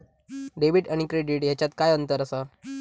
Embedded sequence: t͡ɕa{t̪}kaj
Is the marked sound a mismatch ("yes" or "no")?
no